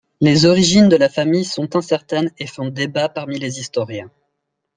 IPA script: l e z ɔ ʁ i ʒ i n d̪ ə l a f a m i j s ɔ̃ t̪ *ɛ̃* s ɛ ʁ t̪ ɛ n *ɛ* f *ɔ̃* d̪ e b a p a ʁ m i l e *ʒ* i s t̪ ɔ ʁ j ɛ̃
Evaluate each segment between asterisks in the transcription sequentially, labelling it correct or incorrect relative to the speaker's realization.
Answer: correct, incorrect: e, correct, incorrect: z

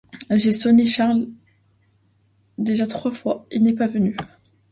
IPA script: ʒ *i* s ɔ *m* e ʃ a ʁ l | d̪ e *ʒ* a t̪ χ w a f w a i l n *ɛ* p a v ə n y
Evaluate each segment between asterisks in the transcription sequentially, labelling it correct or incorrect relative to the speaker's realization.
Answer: incorrect: e, incorrect: n, correct, correct

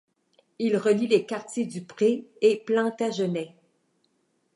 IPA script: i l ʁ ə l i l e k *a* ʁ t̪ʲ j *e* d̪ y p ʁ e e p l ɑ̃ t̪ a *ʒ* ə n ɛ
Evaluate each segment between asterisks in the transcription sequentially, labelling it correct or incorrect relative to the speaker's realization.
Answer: correct, correct, correct

